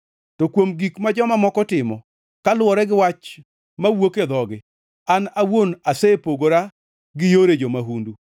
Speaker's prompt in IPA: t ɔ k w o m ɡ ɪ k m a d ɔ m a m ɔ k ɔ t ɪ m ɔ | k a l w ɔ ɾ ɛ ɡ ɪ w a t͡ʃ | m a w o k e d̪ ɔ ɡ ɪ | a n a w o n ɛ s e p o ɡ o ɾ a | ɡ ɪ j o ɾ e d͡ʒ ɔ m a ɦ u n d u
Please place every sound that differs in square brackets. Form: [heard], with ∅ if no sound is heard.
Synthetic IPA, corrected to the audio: t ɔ k w o m ɡ [i] k m a [d͡ʒ] ɔ m a m ɔ k ɔ t ɪ m ɔ | k a l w ɔ ɾ ɛ ɡ ɪ w a t͡ʃ | m a w o k e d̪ ɔ ɡ ɪ | a n a w o n [a] s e p o ɡ o ɾ a | ɡ ɪ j o ɾ e d͡ʒ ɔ m a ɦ u n d u